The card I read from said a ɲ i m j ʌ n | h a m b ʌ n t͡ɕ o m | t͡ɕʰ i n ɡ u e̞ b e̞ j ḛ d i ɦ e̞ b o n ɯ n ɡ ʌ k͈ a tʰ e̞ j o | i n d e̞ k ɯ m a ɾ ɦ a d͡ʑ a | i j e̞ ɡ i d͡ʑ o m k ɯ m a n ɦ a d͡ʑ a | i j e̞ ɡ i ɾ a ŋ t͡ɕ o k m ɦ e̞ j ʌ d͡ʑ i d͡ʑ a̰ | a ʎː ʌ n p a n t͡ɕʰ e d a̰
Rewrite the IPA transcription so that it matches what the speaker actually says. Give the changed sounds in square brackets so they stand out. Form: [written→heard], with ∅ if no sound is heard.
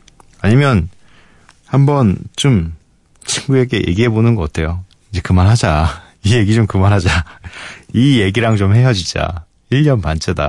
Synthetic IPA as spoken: a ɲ i m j ʌ n | h a m b ʌ n t͡ɕ o m | t͡ɕʰ i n ɡ u e̞ [b→ɡ] e̞ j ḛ [d→ɡ] i ɦ e̞ b o n ɯ n ɡ ʌ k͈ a tʰ e̞ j o | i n [d→d͡ʑ] e̞ k ɯ m a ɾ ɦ a d͡ʑ a | i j e̞ ɡ i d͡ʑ o m k ɯ m a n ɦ a d͡ʑ a | i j e̞ ɡ i ɾ a ŋ t͡ɕ o [k→∅] m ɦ e̞ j ʌ d͡ʑ i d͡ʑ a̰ | [a→i] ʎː ʌ n p a n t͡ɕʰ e d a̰